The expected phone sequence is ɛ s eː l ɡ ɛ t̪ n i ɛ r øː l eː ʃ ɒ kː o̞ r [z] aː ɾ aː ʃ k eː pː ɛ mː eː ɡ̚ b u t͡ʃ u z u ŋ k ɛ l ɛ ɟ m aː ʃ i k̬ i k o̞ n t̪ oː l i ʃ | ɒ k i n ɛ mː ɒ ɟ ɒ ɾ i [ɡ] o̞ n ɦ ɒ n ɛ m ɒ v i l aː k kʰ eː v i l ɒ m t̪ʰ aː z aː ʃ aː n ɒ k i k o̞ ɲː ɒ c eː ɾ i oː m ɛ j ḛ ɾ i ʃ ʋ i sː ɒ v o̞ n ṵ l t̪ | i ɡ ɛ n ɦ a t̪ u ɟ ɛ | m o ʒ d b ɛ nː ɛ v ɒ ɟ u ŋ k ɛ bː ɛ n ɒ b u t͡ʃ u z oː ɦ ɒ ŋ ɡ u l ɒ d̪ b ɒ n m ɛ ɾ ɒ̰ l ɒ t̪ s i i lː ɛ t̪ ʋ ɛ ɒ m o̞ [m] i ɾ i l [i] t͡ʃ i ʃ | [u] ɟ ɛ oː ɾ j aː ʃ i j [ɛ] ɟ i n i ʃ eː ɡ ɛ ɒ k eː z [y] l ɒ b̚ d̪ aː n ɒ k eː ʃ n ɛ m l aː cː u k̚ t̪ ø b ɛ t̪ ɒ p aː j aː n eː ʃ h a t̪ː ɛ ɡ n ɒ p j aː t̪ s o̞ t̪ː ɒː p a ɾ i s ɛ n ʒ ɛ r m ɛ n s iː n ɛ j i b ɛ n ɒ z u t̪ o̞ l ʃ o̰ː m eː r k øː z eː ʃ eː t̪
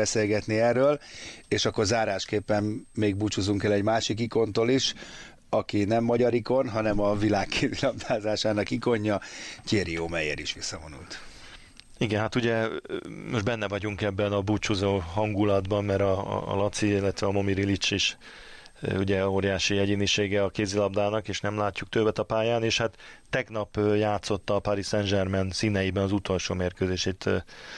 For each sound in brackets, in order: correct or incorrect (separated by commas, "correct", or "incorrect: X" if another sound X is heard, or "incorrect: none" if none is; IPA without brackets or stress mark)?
correct, incorrect: k, correct, correct, correct, correct, incorrect: i